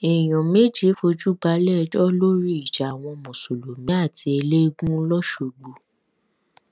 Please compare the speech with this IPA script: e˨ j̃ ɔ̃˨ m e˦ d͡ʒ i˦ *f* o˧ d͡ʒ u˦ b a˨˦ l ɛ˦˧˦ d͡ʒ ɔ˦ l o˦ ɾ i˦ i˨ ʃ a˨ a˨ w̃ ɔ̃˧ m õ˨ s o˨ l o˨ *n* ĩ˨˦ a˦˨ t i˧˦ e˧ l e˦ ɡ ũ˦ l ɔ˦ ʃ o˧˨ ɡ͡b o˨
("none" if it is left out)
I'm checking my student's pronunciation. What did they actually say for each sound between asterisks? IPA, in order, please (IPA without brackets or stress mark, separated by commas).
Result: f, m